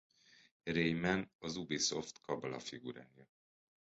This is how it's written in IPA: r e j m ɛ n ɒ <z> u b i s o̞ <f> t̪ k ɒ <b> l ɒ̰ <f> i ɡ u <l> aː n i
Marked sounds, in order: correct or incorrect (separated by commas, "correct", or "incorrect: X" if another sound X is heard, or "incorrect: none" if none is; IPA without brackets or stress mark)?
correct, correct, correct, correct, incorrect: ɾ